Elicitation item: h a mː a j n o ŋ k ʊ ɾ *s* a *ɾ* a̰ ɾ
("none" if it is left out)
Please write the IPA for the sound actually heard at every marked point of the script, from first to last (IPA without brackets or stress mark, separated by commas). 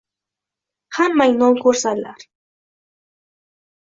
s, l